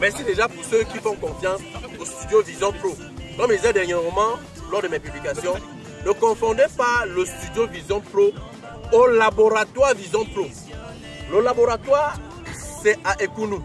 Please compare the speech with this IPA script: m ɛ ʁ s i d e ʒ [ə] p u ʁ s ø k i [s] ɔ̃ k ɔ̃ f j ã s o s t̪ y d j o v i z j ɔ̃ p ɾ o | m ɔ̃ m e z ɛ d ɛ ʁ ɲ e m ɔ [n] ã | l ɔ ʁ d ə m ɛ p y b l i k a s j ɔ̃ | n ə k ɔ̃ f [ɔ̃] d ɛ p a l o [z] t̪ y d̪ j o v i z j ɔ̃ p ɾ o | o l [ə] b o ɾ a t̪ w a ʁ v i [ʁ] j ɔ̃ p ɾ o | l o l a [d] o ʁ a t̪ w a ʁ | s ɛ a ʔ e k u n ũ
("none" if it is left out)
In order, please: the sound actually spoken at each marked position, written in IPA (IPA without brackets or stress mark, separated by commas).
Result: a, f, m, ɔ̃, s, a, z, b